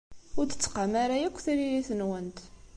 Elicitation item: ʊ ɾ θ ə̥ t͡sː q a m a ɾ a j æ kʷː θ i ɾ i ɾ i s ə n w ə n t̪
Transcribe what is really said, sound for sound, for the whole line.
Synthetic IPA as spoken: ʊ ɾ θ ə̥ t͡sː q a m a ɾ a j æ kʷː θ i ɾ i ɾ i θ ə n w ə n t̪